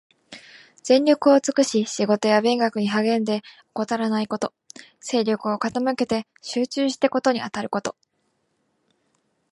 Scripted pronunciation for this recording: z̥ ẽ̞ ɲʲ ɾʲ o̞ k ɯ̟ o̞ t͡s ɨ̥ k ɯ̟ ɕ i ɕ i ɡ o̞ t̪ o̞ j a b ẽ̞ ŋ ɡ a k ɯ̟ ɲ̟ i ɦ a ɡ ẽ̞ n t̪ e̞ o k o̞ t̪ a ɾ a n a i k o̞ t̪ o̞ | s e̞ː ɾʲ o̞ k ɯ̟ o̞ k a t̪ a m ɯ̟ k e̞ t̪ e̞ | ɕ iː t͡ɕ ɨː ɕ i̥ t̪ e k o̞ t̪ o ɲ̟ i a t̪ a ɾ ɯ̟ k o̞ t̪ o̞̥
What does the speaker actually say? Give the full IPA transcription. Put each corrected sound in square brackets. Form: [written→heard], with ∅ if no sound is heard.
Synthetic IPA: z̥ ẽ̞ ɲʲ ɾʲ o̞ k ɯ̟ o̞ t͡s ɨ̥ k ɯ̟ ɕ i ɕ i ɡ o̞ t̪ o̞ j a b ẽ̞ ŋ ɡ a k ɯ̟ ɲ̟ i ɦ a ɡ ẽ̞ n [t̪→d̪] e̞ o k o̞ t̪ a ɾ a n a i k o̞ t̪ o̞ | s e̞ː ɾʲ o̞ k ɯ̟ o̞ k a t̪ a m ɯ̟ k e̞ t̪ e̞ | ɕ [iː→ɨː] t͡ɕ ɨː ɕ i̥ t̪ e k o̞ t̪ o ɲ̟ i a t̪ a ɾ ɯ̟ k o̞ t̪ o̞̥